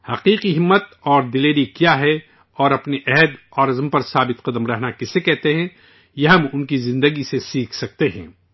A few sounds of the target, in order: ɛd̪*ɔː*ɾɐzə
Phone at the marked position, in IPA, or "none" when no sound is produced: ɔː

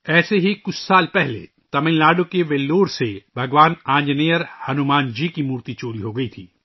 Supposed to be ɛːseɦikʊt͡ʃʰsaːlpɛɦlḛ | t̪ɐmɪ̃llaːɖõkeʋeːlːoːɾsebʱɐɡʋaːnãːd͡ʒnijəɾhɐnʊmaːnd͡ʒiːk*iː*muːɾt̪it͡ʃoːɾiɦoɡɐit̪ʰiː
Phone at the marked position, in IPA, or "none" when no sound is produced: i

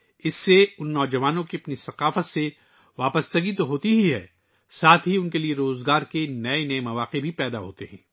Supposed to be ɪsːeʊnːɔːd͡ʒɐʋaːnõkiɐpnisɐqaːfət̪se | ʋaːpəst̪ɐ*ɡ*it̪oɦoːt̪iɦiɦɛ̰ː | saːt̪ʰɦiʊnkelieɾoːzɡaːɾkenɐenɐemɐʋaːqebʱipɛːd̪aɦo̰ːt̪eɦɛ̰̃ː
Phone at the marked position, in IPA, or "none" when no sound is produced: ɡ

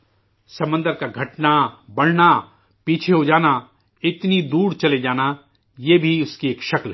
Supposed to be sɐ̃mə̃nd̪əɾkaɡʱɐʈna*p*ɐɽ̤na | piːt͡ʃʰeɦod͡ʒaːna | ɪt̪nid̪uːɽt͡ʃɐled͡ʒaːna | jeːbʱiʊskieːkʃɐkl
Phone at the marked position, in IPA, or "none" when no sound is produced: b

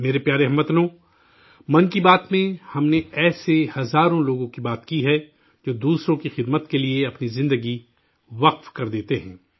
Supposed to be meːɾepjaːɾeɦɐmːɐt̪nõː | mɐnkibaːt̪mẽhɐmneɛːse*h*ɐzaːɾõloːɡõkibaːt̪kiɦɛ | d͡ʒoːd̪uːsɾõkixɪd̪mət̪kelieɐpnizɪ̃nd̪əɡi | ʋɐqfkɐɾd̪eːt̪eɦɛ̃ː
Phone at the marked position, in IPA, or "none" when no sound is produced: h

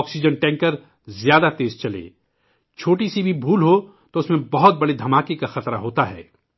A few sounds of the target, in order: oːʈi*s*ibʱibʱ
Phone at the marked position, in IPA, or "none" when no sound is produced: s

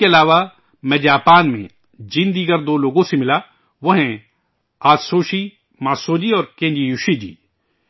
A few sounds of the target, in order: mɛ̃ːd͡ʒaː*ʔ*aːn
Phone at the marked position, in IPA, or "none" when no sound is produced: p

